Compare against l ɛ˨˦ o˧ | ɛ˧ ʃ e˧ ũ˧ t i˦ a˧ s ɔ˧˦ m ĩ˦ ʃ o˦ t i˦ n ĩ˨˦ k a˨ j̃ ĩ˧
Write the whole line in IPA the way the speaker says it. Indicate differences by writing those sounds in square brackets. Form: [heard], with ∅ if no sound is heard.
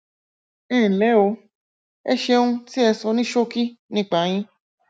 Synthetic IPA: l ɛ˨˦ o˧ | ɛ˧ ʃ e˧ ũ˧ t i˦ [ɛ˧] s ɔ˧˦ [n] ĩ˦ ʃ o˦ [k] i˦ n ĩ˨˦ [k͡p] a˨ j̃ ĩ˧